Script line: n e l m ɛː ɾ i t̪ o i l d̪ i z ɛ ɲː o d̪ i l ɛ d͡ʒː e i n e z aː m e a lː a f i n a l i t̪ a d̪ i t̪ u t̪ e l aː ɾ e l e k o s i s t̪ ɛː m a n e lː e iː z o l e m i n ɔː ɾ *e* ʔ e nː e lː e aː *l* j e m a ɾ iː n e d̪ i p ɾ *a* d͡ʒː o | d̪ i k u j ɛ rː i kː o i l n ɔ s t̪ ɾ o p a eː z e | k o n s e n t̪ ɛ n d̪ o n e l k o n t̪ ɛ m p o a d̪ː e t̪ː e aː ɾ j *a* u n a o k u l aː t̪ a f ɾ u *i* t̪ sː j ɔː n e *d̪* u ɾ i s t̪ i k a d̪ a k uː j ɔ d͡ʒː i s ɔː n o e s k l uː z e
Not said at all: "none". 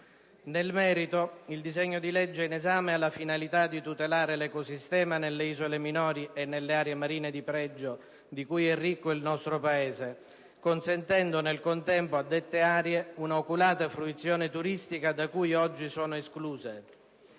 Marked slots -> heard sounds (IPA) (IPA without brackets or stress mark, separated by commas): i, ɾ, ɛ, e, i, t̪